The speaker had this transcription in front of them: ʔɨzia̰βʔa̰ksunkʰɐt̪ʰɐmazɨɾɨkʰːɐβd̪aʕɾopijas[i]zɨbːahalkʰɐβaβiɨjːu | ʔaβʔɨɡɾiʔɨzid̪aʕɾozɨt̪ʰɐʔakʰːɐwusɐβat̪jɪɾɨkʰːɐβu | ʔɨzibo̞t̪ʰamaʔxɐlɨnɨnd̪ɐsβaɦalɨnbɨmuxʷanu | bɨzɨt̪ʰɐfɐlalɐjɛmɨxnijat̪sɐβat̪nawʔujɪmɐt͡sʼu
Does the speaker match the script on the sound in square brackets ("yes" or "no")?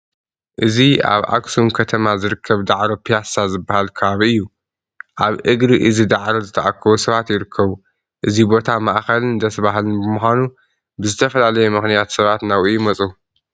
no